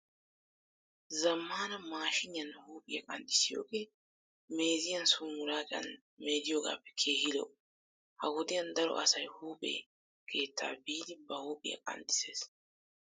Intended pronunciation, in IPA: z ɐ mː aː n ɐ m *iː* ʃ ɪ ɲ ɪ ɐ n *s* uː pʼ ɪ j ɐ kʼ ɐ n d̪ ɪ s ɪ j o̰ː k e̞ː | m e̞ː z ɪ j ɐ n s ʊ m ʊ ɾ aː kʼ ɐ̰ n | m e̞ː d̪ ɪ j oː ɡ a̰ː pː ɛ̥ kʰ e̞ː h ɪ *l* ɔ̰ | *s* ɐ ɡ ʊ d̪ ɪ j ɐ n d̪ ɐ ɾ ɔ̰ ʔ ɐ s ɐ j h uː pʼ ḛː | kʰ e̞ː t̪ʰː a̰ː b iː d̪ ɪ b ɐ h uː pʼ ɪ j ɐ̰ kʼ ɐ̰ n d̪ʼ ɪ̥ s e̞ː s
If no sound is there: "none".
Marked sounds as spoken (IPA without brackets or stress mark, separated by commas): aː, h, l, h